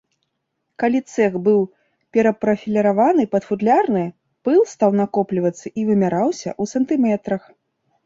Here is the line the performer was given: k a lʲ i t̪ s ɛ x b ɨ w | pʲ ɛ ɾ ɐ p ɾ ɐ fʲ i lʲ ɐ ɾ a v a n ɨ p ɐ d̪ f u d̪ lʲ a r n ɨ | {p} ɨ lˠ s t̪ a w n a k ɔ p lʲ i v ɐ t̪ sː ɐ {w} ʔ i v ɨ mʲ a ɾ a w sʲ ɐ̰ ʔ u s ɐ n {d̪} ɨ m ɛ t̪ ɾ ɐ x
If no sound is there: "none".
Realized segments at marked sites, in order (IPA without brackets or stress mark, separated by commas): p, none, t̪